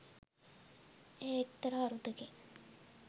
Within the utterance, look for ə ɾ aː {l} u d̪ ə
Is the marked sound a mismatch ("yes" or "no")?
yes